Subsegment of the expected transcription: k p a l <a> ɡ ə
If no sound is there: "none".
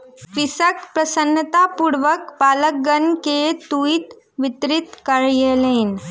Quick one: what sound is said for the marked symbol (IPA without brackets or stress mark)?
ə